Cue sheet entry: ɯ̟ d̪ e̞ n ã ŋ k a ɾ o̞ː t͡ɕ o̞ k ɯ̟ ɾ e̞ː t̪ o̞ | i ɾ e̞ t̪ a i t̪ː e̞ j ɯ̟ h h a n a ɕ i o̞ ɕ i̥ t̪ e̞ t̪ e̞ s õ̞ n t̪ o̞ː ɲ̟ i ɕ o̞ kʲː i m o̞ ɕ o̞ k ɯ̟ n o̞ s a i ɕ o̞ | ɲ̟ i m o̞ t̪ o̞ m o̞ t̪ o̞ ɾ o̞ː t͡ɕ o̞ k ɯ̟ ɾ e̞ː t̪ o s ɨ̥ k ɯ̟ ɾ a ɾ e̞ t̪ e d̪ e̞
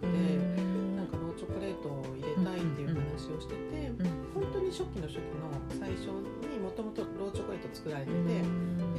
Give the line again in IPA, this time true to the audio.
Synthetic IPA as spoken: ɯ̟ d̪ e̞ n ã ŋ k a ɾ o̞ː t͡ɕ o̞ k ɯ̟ ɾ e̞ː t̪ o̞ | i ɾ e̞ t̪ a i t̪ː e̞ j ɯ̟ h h a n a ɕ i o̞ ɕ i̥ t̪ e̞ t̪ e̞ h õ̞ n t̪ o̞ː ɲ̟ i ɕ o̞ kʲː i n o̞ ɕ o̞ k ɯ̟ n o̞ s a i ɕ o̞ | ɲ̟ i m o̞ t̪ o̞ m o̞ t̪ o̞ ɾ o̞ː t͡ɕ o̞ k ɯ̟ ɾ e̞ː t̪ o t͡s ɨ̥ k ɯ̟ ɾ a ɾ e̞ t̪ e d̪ e̞